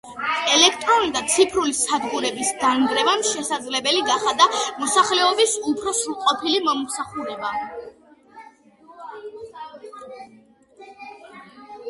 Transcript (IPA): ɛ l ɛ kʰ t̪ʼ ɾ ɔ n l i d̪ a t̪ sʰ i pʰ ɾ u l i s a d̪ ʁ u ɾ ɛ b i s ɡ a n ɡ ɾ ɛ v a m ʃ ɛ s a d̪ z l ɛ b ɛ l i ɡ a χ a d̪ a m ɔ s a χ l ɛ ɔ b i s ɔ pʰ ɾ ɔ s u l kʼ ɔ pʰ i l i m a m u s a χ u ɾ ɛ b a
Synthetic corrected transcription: ɛ l ɛ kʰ t̪ʼ ɾ ɔ n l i d̪ a t̪ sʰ i pʰ ɾ u l i s a d̪ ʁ u ɾ ɛ b i s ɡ a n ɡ ɾ ɛ v a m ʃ ɛ s a d̪ z l ɛ b ɛ l i ɡ a χ a d̪ a m ɔ s a χ l ɛ ɔ b i s u pʰ ɾ ɔ s u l qʼ ɔ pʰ i l i m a m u s a χ u ɾ ɛ b a